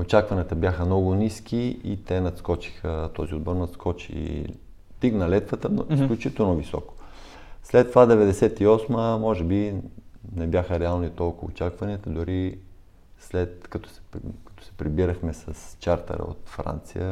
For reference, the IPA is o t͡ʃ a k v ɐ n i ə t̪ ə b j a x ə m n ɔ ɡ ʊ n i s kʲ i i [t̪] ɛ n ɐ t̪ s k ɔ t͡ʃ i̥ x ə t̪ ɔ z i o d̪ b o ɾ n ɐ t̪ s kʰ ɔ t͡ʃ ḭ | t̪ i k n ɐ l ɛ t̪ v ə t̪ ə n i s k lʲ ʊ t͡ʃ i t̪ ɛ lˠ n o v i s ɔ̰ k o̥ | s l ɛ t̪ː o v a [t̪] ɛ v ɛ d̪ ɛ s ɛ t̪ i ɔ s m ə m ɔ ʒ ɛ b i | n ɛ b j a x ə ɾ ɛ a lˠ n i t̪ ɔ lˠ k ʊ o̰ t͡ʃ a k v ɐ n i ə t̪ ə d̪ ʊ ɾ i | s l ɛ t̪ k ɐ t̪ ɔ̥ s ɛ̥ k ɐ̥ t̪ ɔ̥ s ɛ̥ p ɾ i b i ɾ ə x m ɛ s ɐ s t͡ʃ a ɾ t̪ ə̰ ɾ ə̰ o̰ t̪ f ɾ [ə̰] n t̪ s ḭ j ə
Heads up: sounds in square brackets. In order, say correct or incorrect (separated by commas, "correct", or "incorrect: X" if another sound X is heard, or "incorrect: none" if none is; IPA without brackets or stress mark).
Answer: correct, incorrect: d̪, incorrect: a̰